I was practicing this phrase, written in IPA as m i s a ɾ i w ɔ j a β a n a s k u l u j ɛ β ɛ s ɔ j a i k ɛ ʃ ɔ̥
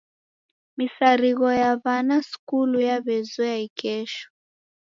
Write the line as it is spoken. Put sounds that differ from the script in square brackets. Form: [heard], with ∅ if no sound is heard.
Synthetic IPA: m i s a ɾ i [ɣ] ɔ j a β a n a s k u l u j [a] β ɛ [z] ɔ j a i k ɛ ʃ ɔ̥